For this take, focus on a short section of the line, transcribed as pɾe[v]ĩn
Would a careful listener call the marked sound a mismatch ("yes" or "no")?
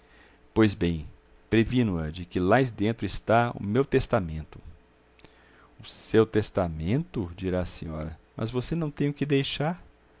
no